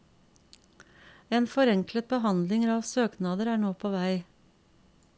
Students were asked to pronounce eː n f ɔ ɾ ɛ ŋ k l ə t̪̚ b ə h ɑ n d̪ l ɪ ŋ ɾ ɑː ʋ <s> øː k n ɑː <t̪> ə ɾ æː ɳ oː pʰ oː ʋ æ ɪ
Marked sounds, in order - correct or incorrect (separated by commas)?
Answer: correct, incorrect